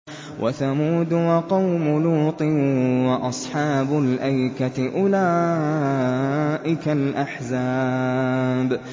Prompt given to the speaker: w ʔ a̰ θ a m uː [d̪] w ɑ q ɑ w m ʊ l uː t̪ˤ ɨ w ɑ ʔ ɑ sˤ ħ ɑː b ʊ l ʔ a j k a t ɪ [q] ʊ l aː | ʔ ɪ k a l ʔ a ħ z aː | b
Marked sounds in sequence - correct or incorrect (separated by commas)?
correct, incorrect